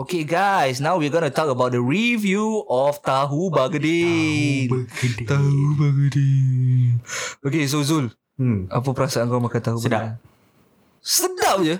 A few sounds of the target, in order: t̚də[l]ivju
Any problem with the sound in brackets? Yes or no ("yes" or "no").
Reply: yes